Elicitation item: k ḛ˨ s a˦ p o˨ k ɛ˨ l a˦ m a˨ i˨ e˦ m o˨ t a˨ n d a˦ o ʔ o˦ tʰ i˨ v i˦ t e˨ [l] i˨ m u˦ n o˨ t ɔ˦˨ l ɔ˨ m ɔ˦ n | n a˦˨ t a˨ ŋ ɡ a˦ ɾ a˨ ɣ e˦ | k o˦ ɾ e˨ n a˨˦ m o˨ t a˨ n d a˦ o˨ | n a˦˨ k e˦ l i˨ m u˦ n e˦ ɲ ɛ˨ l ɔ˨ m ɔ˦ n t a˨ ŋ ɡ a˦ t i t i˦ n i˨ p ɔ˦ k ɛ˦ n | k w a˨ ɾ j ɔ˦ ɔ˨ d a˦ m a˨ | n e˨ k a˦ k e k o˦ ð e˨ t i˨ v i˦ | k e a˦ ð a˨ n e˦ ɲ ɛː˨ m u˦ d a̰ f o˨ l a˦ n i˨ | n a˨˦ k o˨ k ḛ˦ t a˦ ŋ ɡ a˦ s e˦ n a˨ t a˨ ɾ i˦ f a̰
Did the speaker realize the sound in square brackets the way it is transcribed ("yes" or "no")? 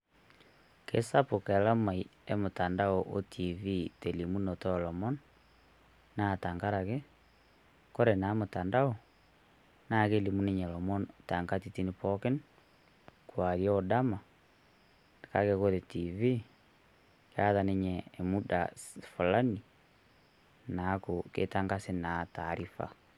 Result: yes